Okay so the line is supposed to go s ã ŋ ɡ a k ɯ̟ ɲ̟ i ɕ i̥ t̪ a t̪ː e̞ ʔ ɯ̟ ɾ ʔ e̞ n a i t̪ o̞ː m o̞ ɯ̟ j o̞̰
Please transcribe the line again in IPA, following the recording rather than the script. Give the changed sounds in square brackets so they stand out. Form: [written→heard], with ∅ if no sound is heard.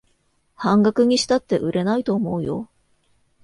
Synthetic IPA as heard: [s→h] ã ŋ ɡ a k ɯ̟ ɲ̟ i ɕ i̥ t̪ a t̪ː e̞ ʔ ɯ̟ ɾ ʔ e̞ n a i t̪ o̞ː m o̞ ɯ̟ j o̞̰